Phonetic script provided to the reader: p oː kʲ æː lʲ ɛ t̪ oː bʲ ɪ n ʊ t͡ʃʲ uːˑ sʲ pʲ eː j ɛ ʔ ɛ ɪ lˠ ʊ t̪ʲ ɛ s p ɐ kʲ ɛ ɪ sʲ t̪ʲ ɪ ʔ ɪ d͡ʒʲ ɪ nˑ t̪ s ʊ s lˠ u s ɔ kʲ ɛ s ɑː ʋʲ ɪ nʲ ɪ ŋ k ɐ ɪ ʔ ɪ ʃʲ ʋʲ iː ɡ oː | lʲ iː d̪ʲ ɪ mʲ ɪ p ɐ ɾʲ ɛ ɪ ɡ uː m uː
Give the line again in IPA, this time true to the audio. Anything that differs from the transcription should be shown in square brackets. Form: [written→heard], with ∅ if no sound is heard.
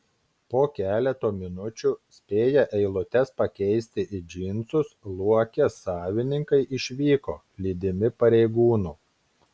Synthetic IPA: p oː kʲ æː lʲ ɛ t̪ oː [bʲ→mʲ] ɪ n ʊ t͡ʃʲ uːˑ sʲ pʲ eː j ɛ ʔ ɛ ɪ lˠ ʊ t̪ʲ ɛ s p ɐ kʲ ɛ ɪ sʲ t̪ʲ ɪ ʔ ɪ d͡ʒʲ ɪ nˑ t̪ s ʊ s lˠ u [s→∅] ɔ kʲ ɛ s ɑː ʋʲ ɪ nʲ ɪ ŋ k ɐ ɪ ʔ ɪ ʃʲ ʋʲ iː [ɡ→k] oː | lʲ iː d̪ʲ ɪ mʲ ɪ p ɐ ɾʲ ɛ ɪ ɡ uː [m→n] uː